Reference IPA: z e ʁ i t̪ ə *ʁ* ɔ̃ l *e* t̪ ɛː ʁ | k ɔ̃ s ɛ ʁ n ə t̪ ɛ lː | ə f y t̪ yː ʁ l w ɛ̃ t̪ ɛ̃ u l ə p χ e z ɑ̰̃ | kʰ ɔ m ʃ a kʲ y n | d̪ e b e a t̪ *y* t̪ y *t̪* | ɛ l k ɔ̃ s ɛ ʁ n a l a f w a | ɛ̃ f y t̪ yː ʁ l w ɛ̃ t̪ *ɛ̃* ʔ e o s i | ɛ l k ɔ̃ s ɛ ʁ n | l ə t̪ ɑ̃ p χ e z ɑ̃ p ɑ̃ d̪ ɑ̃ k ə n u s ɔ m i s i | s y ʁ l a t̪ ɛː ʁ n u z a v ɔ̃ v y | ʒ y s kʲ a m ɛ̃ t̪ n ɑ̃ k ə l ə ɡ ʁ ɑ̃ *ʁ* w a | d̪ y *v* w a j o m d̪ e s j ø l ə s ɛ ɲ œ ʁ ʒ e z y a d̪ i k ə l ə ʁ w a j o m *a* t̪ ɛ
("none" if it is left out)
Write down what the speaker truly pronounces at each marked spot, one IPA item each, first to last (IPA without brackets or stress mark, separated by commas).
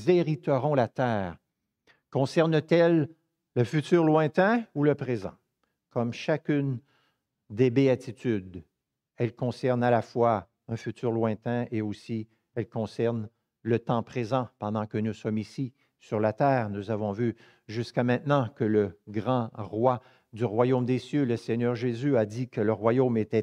ʁ, a, i, d̪, ɛ̃, ʁ, ʁ, e